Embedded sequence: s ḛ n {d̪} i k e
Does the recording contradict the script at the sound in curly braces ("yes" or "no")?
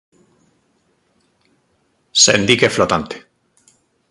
no